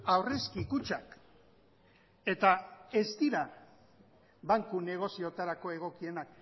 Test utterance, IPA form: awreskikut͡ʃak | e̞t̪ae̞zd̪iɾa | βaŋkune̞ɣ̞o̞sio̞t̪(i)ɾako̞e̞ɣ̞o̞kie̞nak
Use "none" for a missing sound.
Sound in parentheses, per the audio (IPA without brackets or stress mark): a